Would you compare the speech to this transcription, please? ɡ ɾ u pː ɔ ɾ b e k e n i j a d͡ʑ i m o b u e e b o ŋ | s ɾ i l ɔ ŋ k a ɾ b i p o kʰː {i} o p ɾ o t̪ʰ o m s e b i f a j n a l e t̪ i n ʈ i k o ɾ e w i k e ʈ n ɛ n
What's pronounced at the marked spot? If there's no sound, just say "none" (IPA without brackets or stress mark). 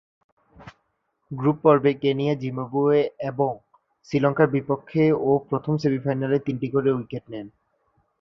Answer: e